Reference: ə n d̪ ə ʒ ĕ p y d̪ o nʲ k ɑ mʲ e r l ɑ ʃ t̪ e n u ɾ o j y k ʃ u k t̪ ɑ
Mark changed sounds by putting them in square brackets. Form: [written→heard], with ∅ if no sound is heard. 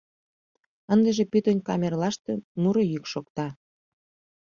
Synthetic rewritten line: ə n d̪ ə ʒ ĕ p y [d̪→t̪] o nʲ k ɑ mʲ e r l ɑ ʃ t̪ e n u ɾ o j y k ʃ [u→o] k t̪ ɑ